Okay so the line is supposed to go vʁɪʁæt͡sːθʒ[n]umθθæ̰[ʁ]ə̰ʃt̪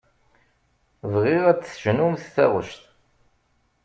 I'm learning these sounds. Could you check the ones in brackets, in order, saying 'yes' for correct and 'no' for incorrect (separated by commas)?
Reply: yes, yes